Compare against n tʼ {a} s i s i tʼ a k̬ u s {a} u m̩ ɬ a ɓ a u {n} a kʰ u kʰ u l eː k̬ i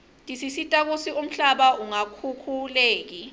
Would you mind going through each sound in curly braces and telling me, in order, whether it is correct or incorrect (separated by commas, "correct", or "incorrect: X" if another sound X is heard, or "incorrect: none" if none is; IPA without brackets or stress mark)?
incorrect: i, incorrect: i, incorrect: ŋ